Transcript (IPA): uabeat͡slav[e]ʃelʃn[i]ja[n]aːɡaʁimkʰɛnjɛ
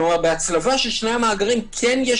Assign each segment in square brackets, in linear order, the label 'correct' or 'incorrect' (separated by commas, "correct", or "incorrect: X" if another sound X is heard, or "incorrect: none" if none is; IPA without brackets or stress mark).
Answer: incorrect: a, incorrect: e, incorrect: m